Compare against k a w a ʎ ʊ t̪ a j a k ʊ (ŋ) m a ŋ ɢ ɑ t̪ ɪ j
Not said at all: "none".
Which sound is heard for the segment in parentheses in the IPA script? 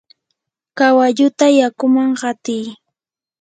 none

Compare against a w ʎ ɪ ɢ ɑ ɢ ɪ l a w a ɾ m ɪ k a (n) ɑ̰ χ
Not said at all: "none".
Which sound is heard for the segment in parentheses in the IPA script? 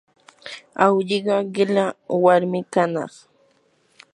n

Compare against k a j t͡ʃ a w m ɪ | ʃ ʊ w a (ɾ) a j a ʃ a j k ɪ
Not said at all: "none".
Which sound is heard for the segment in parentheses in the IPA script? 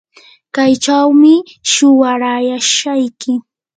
ɾ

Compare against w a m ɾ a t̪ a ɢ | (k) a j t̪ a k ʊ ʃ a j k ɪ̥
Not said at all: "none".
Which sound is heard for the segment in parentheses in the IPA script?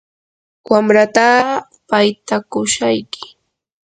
p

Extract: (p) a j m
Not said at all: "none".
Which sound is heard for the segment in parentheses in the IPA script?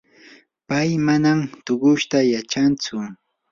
p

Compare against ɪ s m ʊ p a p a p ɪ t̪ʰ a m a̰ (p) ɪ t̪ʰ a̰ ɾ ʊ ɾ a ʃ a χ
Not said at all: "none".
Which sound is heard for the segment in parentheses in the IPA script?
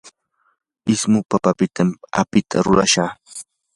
p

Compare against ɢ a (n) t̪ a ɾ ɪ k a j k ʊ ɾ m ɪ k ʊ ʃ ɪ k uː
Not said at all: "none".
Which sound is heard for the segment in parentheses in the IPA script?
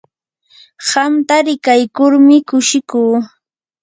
m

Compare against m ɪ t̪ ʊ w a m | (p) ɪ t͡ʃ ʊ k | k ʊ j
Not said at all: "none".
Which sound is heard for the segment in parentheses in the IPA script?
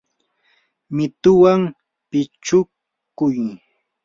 p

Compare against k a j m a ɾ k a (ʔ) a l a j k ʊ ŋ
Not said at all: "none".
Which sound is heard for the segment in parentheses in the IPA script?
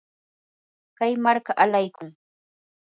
ʔ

